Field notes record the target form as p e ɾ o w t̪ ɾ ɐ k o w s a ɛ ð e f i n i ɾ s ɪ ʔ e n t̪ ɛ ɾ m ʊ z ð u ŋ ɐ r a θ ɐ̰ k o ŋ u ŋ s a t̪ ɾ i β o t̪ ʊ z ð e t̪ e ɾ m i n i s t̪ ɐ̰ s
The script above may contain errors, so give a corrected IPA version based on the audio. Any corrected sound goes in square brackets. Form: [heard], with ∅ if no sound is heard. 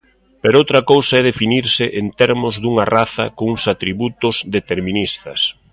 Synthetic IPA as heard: p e ɾ o w t̪ ɾ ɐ k o w s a ɛ ð e f i n i ɾ s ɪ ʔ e n t̪ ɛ ɾ m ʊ z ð u ŋ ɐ r a θ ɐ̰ k o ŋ u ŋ s a t̪ ɾ i β [u] t̪ ʊ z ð e t̪ e ɾ m i n i s t̪ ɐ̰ s